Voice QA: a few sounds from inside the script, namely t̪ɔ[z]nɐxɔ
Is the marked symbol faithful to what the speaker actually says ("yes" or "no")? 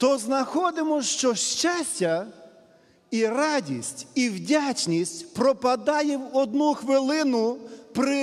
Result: yes